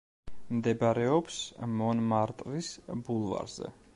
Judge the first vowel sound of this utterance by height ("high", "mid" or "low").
mid